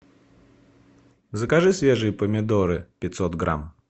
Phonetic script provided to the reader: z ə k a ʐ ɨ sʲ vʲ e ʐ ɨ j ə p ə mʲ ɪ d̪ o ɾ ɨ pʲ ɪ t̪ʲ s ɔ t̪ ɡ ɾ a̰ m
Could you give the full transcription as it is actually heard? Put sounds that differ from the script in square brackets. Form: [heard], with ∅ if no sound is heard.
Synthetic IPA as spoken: z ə k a ʐ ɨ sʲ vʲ e ʐ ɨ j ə p ə mʲ ɪ d̪ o ɾ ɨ pʲ ɪ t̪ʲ s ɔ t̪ ɡ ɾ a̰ m